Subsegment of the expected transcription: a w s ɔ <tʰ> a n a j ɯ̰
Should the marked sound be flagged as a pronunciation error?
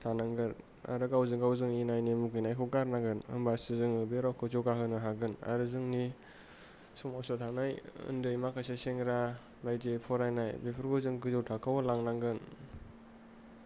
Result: no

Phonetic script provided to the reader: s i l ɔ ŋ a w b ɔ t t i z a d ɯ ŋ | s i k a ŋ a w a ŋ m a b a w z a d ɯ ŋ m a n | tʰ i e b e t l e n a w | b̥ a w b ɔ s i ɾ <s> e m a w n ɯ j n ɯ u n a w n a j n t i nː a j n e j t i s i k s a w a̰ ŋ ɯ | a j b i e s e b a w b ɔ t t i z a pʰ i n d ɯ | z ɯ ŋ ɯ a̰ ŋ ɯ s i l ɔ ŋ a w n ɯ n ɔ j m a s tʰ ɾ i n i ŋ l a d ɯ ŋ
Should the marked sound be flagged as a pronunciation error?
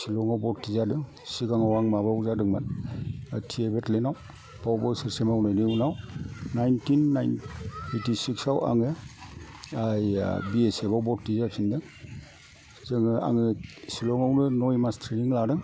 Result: no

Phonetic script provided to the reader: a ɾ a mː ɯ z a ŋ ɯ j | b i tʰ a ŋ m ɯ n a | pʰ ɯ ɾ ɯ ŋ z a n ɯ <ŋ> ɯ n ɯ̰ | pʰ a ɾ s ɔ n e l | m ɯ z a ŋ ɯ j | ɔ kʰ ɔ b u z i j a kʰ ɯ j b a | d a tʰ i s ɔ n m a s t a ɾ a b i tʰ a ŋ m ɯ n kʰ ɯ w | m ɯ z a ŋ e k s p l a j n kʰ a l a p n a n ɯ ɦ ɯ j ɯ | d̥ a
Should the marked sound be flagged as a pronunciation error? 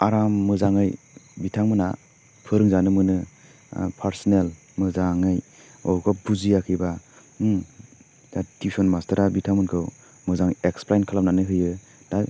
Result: yes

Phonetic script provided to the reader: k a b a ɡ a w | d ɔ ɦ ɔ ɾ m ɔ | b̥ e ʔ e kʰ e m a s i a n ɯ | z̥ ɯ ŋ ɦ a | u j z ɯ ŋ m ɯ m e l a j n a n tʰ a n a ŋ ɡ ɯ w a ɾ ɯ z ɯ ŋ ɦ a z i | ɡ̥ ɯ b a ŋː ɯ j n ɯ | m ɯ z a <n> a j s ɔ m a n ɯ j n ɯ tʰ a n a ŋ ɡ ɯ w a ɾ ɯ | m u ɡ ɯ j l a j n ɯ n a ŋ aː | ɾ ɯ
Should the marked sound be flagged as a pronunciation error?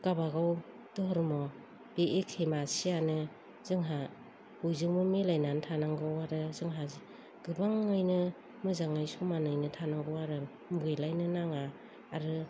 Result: yes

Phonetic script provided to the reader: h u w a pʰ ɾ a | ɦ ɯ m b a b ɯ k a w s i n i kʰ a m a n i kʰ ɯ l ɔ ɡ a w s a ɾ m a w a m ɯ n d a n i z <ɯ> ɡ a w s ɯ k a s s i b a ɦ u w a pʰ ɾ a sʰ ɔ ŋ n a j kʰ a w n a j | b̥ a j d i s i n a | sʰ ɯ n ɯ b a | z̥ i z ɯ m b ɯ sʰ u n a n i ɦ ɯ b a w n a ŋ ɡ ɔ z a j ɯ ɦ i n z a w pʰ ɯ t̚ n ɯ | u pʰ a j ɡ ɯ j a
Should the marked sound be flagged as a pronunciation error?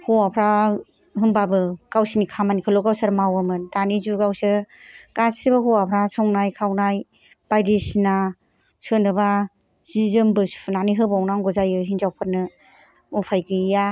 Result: yes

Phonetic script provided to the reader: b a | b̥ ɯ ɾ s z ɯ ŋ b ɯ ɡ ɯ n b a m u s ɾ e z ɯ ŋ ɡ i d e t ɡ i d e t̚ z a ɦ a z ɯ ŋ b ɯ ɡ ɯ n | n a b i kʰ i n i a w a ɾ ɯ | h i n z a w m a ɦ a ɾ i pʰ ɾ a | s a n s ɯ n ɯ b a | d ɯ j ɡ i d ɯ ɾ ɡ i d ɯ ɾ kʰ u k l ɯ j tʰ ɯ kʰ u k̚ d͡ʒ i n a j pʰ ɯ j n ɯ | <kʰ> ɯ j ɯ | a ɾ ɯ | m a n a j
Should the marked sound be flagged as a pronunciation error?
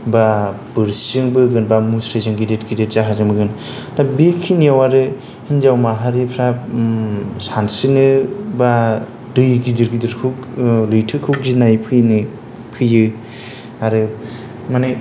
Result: yes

